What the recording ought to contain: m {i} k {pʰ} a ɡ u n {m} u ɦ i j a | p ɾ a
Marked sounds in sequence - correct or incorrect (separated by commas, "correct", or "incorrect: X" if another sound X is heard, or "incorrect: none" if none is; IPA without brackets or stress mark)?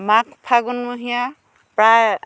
incorrect: a, correct, correct